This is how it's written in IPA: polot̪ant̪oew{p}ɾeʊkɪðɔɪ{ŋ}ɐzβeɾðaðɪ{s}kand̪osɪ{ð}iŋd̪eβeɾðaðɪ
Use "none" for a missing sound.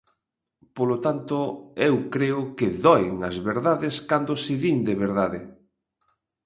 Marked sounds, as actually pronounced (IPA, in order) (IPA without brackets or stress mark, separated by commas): k, ŋ, s, ð